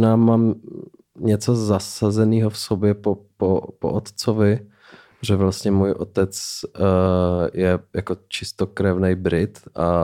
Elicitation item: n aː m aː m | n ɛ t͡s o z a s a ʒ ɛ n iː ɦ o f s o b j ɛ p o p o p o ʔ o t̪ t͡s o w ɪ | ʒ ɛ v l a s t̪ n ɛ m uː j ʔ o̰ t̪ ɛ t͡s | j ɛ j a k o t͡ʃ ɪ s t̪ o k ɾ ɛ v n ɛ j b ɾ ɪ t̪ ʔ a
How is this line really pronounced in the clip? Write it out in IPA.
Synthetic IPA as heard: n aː m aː m | ɲ ɛ t͡s o z a s a z ɛ n iː ɦ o f s o b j ɛ p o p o p o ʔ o t̪ t͡s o v ɪ | ʒ ɛ v l a s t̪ ɲ ɛ m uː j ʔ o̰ t̪ ɛ t͡s | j ɛ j a k o t͡ʃ ɪ s t̪ o k ɾ ɛ v n ɛ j b ɾ ɪ t̪ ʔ a